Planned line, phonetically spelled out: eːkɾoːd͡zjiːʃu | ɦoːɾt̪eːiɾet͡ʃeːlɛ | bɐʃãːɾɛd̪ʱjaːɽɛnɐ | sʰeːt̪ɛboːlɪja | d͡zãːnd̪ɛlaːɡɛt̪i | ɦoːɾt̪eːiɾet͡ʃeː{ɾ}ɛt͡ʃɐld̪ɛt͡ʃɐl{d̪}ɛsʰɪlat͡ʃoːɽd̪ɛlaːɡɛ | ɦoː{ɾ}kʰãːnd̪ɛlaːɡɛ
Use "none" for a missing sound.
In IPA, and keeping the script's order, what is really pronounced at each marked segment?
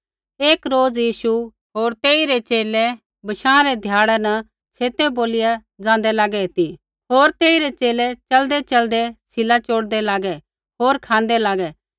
l, d̪, ɾ

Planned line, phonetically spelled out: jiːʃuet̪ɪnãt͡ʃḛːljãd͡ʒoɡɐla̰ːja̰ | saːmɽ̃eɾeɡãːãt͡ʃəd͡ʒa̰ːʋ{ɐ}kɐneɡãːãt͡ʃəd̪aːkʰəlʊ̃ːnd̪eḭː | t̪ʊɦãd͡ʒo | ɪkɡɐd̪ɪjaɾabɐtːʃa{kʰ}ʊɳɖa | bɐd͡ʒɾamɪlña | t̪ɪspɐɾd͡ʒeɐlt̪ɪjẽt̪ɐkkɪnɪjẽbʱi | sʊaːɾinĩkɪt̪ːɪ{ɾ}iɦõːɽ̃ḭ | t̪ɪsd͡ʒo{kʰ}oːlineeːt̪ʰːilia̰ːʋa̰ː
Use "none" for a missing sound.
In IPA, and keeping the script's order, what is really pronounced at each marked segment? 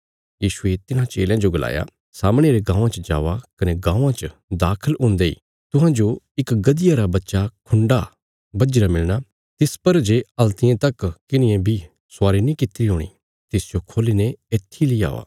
a, kʰ, ɾ, kʰ

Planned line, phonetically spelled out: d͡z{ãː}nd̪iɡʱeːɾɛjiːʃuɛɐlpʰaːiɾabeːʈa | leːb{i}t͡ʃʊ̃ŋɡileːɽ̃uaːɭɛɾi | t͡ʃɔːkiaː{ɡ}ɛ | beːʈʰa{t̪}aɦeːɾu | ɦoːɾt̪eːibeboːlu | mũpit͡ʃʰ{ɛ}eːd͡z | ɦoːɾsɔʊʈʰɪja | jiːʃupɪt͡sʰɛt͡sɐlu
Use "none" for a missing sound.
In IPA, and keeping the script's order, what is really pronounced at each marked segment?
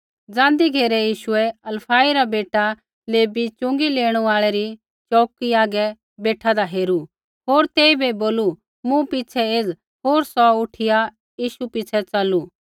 ãː, i, ɡ, d̪, ɛ

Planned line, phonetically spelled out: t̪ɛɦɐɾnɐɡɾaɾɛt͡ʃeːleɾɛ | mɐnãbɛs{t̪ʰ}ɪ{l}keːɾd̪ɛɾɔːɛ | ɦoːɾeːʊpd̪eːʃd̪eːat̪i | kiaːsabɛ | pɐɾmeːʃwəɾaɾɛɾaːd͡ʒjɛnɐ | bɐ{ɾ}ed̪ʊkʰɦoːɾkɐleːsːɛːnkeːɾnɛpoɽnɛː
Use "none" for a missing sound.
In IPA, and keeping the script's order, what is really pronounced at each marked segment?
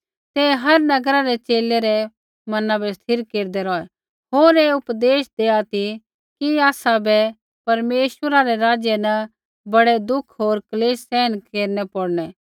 t̪ʰ, ɾ, ɽ

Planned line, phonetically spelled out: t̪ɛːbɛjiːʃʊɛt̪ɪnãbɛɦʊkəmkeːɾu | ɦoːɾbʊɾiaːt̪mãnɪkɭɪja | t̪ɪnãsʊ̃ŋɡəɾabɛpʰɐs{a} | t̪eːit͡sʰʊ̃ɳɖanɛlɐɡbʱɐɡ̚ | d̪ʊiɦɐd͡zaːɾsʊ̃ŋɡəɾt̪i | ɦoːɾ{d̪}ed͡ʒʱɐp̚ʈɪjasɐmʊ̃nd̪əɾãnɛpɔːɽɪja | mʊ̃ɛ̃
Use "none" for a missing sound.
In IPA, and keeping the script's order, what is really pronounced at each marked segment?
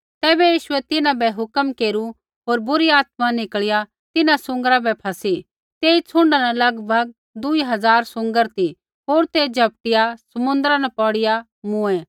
i, t̪

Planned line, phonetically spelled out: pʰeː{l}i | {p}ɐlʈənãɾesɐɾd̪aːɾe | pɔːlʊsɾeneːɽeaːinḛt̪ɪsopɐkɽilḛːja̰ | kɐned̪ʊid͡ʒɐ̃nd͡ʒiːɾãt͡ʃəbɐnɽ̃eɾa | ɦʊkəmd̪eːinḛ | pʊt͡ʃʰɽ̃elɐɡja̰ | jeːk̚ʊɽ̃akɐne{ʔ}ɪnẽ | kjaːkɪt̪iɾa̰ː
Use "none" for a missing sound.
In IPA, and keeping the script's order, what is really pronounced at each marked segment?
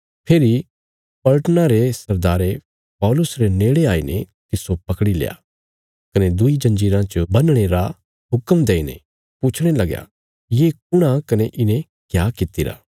ɾ, p, ʔ

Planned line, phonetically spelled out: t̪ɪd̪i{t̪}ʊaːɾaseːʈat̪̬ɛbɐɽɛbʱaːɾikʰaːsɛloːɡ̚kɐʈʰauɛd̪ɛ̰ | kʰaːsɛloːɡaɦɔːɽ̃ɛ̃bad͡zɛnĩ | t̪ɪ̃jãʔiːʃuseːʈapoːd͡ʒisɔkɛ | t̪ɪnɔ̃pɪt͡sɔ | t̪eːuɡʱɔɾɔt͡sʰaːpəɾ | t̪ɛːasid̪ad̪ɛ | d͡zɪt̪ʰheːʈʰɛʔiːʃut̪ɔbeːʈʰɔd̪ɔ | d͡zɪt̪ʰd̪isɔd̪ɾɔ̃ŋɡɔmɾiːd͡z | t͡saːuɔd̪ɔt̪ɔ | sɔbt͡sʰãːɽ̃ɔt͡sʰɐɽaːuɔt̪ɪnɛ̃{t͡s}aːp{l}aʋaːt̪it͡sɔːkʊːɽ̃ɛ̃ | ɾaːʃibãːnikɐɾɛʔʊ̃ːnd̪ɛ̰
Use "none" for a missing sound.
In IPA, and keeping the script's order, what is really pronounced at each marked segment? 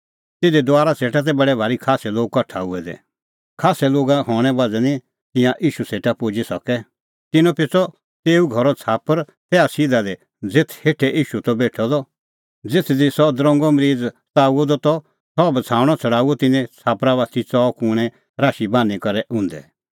d̪, t͡sʰ, ɾ

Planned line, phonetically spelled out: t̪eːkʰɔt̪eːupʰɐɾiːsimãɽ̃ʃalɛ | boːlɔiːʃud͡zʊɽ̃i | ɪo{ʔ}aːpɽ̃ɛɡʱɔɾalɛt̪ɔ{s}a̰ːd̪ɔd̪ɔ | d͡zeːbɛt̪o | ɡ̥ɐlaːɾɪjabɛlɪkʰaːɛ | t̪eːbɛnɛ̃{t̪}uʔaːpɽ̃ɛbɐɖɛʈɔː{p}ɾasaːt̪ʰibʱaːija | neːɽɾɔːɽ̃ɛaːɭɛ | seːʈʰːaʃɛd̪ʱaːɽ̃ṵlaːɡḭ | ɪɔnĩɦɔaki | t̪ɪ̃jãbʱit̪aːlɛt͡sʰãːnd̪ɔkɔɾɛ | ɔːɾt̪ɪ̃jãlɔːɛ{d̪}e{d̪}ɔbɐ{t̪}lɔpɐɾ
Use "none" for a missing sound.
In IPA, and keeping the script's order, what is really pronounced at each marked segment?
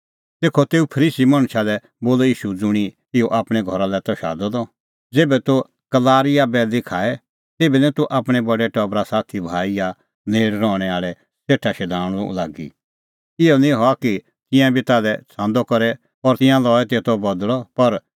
ʔ, ʃ, t̪, b, t̪, t̪, d̪

